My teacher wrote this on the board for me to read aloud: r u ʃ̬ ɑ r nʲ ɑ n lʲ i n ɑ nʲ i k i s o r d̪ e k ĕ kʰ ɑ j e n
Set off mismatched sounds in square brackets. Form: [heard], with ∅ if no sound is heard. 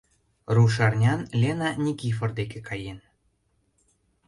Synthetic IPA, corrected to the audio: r u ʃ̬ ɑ r nʲ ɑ n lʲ [e] n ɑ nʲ i k i [f] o r d̪ e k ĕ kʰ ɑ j e n